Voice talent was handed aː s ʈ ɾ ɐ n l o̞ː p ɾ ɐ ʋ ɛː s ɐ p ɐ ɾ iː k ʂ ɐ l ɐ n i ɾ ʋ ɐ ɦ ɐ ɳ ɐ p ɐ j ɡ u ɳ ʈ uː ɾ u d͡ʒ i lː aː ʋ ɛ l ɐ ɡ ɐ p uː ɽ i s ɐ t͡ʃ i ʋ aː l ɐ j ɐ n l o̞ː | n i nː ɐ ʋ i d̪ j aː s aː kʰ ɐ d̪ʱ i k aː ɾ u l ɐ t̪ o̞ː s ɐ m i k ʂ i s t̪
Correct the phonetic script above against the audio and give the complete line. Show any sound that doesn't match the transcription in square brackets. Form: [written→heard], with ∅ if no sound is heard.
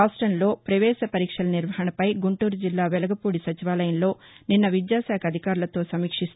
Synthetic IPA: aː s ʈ ɾ ɐ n l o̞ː p ɾ ɐ ʋ ɛː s ɐ p ɐ ɾ iː k ʂ ɐ l ɐ n i ɾ ʋ ɐ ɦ ɐ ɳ ɐ p ɐ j ɡ u ɳ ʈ uː ɾ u d͡ʒ i lː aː ʋ ɛ l ɐ ɡ ɐ p uː ɽ i s ɐ t͡ʃ i ʋ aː l ɐ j ɐ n l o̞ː | n i nː ɐ ʋ i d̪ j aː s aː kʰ ɐ d̪ʱ i k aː ɾ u l ɐ t̪ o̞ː s ɐ m [i→iː] k ʂ i s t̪